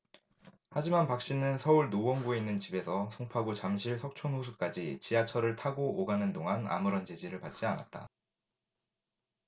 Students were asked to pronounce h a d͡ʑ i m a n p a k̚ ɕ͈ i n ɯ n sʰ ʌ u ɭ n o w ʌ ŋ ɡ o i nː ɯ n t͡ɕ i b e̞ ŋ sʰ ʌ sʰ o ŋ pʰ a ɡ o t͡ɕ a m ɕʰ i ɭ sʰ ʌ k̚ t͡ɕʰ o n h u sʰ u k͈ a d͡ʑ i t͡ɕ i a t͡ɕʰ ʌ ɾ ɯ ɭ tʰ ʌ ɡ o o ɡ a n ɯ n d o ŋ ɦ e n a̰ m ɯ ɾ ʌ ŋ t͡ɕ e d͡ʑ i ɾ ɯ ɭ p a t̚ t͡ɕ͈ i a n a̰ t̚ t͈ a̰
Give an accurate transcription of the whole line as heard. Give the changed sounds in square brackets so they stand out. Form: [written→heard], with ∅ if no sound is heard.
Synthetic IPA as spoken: h a d͡ʑ i m a n p a k̚ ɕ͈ i n ɯ n sʰ ʌ u ɭ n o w ʌ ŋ ɡ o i nː ɯ n t͡ɕ i b e̞ [ŋ→∅] sʰ ʌ sʰ o ŋ pʰ a ɡ o t͡ɕ a m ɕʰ i ɭ sʰ ʌ k̚ t͡ɕʰ o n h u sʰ u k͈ a d͡ʑ i t͡ɕ i a t͡ɕʰ ʌ ɾ ɯ ɭ tʰ [ʌ→a] ɡ o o ɡ a n ɯ n d o ŋ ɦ [e→a] n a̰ m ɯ ɾ ʌ [ŋ→n] t͡ɕ e d͡ʑ i ɾ ɯ ɭ p a t̚ t͡ɕ͈ i a n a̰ t̚ t͈ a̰